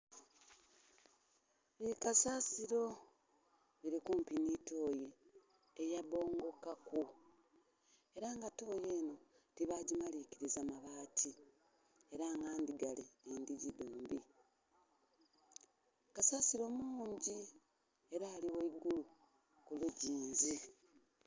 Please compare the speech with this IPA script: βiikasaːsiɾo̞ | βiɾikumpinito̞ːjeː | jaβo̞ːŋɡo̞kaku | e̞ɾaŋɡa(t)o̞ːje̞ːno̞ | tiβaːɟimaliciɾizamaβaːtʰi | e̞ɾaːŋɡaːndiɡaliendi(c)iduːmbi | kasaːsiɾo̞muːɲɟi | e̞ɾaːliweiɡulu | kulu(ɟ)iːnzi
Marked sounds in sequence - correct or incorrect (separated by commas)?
correct, incorrect, correct